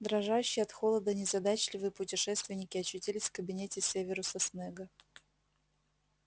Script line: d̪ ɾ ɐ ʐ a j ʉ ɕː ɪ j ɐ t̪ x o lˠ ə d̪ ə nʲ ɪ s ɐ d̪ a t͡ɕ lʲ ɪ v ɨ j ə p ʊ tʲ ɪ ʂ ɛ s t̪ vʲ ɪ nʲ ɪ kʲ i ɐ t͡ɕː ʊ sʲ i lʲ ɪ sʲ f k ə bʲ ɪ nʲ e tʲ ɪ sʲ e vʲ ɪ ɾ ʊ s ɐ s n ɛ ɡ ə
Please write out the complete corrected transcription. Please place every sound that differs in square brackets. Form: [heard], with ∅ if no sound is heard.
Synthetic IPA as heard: d̪ ɾ ɐ ʐ a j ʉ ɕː ɪ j ɐ t̪ x o lˠ ə d̪ ə nʲ ɪ [z] ɐ d̪ a t͡ɕ lʲ ɪ v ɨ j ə p ʊ tʲ ɪ ʂ ɛ s t̪ vʲ ɪ nʲ ɪ kʲ [ɪ] ɐ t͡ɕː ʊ [tʲ] i lʲ ɪ sʲ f k ə bʲ ɪ nʲ e tʲ ɪ sʲ e vʲ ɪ ɾ ʊ s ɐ s n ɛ ɡ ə